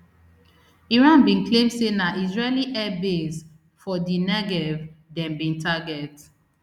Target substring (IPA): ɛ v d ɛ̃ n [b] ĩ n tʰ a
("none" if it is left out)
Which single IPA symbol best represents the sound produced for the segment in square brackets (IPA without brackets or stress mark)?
b